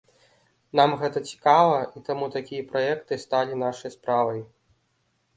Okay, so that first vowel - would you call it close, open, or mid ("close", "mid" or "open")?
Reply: open